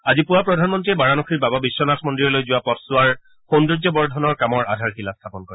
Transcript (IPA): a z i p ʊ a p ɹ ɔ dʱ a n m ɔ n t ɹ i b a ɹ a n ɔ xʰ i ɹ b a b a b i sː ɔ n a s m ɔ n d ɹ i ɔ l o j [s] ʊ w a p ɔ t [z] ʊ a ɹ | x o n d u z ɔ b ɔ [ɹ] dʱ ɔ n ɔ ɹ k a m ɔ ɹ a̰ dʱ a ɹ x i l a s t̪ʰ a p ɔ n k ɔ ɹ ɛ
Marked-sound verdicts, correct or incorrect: incorrect, incorrect, correct

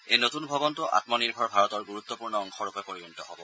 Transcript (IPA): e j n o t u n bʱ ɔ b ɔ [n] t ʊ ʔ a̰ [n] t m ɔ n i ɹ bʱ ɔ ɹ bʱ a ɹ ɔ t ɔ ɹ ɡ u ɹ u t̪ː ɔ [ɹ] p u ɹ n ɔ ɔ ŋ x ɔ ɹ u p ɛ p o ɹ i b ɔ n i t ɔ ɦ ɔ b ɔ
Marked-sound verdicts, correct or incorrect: correct, incorrect, incorrect

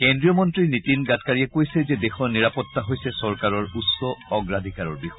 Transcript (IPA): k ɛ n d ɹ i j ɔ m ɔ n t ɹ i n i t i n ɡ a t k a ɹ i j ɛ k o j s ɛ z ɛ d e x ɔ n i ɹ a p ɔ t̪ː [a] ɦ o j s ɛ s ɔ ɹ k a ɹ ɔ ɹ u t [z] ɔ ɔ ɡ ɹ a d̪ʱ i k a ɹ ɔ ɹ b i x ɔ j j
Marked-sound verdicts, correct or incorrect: correct, incorrect

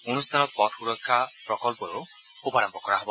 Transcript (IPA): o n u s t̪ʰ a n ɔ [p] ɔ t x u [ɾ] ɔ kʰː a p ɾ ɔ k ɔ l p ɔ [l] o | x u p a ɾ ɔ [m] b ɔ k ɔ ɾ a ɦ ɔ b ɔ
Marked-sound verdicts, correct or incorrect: correct, correct, incorrect, correct

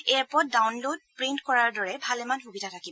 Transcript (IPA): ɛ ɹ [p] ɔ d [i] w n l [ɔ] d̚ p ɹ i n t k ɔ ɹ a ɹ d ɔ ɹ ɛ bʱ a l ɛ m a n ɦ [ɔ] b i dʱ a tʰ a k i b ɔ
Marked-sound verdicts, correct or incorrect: correct, incorrect, incorrect, incorrect

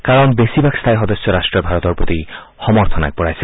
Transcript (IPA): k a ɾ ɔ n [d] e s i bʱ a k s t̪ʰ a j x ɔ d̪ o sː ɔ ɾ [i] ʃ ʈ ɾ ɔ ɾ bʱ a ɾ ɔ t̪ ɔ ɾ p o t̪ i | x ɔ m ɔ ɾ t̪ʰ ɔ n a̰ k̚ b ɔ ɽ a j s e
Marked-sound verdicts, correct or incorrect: incorrect, incorrect

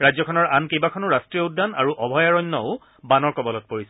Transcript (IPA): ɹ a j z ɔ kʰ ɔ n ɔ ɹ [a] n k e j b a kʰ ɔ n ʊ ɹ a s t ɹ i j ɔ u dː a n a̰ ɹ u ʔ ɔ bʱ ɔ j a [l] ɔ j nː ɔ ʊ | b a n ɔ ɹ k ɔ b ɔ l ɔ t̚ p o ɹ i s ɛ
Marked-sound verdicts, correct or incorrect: correct, incorrect

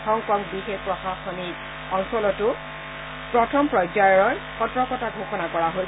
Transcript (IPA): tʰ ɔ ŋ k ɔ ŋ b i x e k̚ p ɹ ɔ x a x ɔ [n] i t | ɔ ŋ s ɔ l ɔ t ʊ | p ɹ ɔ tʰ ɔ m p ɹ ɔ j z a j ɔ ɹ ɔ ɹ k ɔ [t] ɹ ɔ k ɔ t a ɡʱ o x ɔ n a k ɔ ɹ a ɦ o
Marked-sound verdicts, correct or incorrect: correct, correct

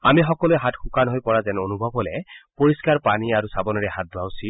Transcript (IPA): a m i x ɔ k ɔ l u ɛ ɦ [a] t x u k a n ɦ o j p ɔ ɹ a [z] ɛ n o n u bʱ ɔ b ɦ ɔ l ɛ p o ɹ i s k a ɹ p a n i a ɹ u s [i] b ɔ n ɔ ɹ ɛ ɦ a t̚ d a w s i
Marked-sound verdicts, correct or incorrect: correct, correct, incorrect

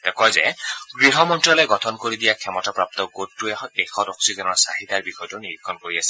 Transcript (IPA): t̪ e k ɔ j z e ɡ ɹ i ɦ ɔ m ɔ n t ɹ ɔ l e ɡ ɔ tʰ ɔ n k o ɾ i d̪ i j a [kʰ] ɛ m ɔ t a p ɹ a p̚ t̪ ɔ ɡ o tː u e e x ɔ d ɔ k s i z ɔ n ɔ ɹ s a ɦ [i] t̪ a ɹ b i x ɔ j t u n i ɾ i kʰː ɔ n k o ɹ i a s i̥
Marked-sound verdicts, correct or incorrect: correct, correct

